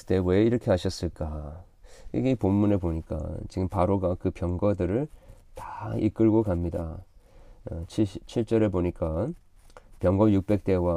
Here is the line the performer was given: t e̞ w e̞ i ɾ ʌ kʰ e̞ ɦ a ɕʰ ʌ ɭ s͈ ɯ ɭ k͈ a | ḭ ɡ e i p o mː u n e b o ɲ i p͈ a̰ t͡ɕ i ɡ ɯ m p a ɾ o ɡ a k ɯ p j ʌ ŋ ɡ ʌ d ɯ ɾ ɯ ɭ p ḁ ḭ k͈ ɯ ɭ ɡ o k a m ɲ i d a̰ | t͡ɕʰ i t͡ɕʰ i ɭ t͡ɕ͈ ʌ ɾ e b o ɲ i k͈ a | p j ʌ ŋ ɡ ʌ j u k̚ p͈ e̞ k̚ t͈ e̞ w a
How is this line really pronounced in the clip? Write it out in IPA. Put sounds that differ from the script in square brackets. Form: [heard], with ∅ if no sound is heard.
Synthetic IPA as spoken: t e̞ w e̞ i ɾ ʌ kʰ e̞ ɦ a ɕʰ ʌ [∅] s͈ ɯ ɭ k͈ a | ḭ ɡ e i p o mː u n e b o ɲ i [k͈] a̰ t͡ɕ i ɡ ɯ m p a ɾ o ɡ a k ɯ p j ʌ ŋ ɡ ʌ d ɯ ɾ ɯ ɭ [t] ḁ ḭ k͈ ɯ ɭ ɡ o k a m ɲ i d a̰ | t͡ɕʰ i t͡ɕʰ i ɭ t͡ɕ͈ ʌ ɾ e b o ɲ i k͈ a | p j ʌ ŋ ɡ ʌ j u k̚ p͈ e̞ k̚ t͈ e̞ w a